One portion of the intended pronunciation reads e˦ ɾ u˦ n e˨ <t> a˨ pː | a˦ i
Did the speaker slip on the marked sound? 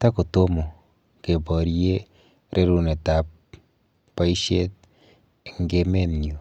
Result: no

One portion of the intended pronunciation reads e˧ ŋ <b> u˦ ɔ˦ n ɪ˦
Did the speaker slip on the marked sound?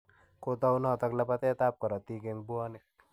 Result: no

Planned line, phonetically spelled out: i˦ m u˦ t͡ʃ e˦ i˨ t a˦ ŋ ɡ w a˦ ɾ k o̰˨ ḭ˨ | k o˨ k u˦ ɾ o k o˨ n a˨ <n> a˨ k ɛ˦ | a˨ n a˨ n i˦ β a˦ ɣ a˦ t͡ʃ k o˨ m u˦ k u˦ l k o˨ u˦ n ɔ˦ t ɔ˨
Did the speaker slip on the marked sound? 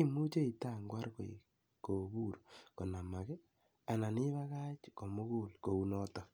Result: yes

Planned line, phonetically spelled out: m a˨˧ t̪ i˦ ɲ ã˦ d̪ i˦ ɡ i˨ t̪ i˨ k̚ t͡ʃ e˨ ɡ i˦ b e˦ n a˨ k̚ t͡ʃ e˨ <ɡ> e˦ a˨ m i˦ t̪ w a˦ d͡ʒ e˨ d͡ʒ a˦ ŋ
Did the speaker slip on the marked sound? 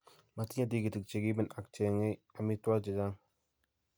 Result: yes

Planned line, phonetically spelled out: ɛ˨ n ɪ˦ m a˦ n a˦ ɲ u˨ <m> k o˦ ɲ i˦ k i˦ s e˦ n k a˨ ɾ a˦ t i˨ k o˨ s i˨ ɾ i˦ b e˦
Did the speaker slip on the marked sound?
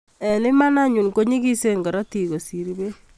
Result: yes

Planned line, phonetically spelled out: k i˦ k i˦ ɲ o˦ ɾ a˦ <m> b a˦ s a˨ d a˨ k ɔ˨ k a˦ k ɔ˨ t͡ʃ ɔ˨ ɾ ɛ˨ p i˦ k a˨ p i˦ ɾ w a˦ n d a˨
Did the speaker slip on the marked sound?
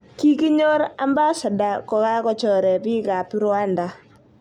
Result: no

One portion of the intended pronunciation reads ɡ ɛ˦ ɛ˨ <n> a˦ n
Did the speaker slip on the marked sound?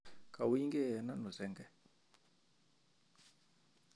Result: no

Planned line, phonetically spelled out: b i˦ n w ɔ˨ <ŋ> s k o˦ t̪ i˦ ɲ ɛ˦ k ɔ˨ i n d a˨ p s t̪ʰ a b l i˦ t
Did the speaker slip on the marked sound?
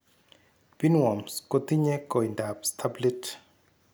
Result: yes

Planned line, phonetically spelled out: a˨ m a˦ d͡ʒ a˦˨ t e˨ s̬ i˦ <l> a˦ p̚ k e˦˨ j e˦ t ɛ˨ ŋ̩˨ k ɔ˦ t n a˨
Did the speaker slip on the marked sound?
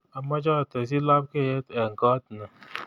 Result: no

